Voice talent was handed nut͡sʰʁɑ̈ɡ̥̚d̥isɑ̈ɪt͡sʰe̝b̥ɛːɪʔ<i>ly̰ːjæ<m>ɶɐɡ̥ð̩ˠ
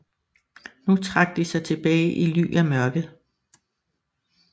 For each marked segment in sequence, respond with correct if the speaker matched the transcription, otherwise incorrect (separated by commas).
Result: correct, correct